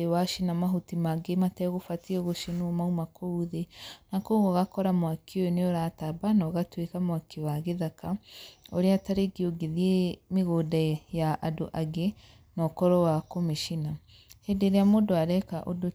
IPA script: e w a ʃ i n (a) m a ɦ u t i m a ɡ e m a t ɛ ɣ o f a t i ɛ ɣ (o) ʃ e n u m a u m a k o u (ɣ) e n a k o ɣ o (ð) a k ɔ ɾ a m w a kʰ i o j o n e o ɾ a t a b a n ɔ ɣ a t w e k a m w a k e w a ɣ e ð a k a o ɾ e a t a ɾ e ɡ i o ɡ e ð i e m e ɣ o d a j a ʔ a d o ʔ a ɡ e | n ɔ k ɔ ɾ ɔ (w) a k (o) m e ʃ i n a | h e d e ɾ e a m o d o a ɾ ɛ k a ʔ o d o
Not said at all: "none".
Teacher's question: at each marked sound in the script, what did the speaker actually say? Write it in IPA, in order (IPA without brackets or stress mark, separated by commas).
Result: a, o, ð, ɣ, w, o